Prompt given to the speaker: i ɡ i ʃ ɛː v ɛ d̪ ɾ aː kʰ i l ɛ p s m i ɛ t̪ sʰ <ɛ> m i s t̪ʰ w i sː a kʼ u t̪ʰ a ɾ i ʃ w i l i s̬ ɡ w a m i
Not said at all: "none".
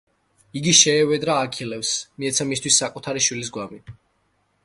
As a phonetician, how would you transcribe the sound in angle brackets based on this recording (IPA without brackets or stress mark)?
a